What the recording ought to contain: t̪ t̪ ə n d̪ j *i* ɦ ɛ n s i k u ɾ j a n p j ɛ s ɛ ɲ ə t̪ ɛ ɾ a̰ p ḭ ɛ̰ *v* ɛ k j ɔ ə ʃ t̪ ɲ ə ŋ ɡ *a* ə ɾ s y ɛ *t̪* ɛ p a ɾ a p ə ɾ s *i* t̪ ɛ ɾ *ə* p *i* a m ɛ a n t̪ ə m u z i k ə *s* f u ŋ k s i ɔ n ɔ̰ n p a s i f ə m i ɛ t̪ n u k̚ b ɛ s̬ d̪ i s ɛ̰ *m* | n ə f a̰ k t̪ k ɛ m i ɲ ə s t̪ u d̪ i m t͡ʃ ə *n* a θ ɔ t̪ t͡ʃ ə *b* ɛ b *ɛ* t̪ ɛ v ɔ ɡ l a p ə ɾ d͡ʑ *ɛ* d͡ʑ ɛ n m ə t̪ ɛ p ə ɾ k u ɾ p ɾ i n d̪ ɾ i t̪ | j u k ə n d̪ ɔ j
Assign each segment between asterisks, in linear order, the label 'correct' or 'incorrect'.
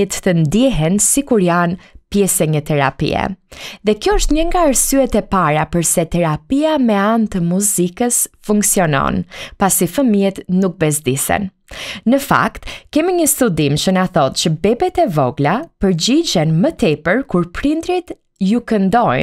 incorrect, incorrect, correct, correct, incorrect, incorrect, correct, correct, incorrect, correct, correct, correct, incorrect

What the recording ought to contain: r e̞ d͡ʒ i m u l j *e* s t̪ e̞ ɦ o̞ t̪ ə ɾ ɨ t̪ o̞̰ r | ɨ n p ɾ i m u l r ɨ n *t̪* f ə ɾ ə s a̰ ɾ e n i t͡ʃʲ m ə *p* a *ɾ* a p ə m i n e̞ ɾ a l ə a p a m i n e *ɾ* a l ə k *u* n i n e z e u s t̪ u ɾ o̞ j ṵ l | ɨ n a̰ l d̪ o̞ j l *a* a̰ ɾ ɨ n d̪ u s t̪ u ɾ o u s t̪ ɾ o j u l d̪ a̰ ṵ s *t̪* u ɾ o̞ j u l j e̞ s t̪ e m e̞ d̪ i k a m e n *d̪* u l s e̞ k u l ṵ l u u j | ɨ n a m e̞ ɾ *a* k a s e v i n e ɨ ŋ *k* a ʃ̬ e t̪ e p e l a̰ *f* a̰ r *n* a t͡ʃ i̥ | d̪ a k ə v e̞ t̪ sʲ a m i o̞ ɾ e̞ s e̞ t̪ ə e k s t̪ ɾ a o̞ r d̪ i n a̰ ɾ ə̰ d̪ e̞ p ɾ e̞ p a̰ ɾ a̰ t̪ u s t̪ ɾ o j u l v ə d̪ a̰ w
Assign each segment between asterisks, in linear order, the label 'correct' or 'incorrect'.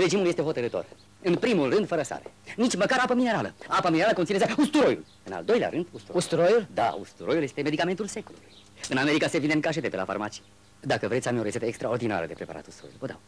correct, incorrect, incorrect, correct, correct, incorrect, incorrect, correct, incorrect, incorrect, correct, correct, incorrect

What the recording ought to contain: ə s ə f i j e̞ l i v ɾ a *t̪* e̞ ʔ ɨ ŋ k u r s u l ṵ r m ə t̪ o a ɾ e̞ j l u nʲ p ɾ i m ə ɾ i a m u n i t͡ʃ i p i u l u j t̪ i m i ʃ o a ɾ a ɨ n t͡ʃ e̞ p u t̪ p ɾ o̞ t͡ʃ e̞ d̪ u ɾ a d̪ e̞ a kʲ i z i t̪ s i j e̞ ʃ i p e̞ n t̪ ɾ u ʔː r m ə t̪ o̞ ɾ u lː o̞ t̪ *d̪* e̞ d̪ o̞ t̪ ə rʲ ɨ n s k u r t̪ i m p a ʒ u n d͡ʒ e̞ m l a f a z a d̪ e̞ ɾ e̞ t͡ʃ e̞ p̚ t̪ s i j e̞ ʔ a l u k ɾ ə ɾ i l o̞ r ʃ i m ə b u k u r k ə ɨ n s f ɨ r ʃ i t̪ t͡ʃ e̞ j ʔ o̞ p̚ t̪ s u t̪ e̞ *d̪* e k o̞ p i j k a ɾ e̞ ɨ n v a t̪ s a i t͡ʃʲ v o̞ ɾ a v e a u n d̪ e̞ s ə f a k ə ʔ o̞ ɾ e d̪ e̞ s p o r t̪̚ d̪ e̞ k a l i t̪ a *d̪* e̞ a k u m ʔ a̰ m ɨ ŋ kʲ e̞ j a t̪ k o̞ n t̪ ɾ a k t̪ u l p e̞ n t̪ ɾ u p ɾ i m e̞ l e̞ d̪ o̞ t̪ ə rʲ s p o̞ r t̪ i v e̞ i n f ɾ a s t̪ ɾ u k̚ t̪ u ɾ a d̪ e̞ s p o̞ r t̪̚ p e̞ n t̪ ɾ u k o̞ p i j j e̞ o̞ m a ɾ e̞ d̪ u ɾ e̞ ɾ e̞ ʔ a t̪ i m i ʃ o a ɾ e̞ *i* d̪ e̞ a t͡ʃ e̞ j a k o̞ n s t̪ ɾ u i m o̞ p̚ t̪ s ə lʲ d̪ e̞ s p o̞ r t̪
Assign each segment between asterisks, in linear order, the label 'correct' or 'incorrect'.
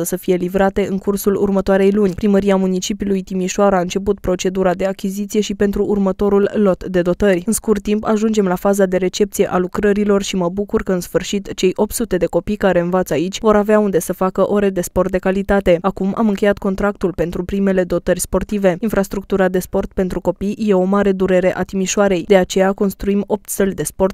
correct, correct, correct, incorrect, incorrect

